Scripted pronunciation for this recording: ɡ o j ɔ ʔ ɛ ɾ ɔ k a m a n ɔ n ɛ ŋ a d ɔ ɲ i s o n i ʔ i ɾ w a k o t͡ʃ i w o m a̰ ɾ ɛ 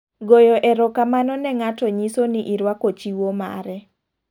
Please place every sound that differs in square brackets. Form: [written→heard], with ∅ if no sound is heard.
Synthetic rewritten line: ɡ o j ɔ ʔ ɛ ɾ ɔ k a m a n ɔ n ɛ ŋ a [d→t] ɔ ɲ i s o n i ʔ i ɾ w a k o t͡ʃ i w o m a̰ ɾ ɛ